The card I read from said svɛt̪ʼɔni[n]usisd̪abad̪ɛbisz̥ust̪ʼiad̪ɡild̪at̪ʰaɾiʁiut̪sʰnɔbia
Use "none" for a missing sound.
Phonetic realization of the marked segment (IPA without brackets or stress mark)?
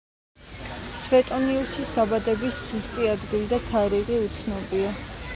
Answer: none